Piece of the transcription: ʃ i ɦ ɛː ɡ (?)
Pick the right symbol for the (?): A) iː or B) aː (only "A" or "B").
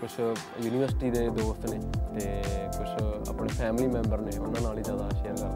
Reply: B